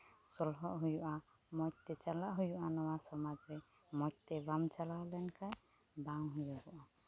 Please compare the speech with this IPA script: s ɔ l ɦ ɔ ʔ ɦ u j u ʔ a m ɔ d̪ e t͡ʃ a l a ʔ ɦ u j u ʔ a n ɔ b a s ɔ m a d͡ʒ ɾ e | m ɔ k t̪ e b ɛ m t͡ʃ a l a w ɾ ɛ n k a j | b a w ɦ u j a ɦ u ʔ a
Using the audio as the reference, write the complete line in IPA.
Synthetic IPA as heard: s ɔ l ɦ ɔ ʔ ɦ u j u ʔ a m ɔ t̪ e t͡ʃ a l a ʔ ɦ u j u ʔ a n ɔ w a s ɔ m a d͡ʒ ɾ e | m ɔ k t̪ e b a m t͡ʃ a l a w l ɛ n k a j | b a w ɦ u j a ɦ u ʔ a